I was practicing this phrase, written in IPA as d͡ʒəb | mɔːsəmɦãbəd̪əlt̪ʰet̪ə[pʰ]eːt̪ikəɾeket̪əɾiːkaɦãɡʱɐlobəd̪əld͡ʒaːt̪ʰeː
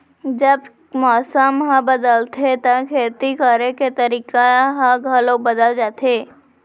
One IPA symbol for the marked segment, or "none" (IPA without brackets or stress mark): kʰ